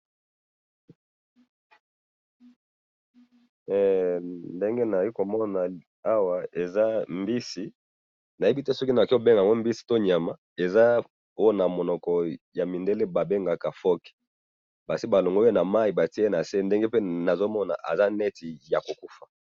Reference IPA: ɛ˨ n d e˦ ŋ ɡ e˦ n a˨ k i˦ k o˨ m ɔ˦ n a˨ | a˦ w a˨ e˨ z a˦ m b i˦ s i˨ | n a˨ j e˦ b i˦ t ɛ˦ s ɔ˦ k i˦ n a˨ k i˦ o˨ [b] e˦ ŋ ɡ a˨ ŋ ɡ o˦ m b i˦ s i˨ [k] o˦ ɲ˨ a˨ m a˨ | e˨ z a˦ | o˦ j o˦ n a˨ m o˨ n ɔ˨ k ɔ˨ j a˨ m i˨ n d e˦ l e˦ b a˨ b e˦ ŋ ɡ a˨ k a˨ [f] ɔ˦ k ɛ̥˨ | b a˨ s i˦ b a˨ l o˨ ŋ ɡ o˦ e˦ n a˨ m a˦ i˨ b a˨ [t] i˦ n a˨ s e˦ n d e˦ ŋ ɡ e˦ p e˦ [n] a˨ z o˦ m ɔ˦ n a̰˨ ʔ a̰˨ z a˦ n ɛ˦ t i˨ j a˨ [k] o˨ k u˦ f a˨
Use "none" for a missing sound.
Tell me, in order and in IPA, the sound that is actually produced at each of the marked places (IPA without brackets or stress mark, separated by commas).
b, t, f, t, n, k